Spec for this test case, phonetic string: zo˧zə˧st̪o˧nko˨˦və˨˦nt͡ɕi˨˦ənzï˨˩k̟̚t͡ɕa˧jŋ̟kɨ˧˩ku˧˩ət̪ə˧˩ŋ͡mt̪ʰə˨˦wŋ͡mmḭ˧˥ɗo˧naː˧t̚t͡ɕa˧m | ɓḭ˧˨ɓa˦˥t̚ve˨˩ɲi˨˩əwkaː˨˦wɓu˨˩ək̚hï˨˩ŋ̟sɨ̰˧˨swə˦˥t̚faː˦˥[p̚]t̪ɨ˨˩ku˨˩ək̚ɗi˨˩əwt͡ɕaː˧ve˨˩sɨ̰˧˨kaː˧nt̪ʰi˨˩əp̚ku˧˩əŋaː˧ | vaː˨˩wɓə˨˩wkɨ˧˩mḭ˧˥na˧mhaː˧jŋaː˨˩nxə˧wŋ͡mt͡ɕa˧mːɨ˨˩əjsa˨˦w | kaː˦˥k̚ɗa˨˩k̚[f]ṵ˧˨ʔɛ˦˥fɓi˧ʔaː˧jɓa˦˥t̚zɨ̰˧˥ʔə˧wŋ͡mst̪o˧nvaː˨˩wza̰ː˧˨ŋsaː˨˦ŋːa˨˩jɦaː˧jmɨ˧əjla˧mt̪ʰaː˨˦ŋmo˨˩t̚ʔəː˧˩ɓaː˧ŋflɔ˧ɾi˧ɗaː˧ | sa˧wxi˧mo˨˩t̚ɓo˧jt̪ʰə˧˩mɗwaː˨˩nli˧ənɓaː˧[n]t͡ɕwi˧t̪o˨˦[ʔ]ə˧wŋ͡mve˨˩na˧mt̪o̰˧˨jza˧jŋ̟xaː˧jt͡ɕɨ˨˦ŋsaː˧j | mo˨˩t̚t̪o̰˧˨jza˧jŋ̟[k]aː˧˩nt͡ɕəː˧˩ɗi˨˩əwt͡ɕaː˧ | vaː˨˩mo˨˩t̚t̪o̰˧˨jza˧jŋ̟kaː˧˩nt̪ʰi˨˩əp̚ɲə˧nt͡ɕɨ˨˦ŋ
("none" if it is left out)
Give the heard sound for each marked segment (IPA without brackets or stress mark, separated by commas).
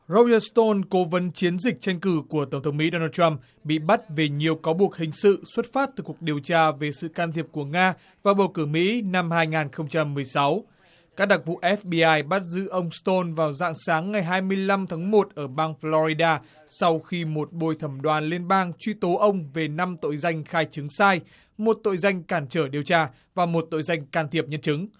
t̚, v, ŋ, ʔ, k